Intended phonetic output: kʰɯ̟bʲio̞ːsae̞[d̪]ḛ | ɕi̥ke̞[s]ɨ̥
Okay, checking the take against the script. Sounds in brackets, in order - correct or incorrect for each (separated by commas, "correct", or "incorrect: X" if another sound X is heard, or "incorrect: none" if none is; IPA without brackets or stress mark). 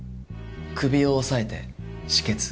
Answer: incorrect: t̪, incorrect: t͡s